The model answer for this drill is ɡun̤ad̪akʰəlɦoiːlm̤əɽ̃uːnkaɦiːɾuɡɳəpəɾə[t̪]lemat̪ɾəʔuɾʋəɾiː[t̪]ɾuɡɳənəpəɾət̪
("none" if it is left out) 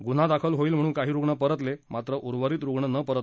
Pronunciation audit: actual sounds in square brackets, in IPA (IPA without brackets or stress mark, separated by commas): t̪, t̪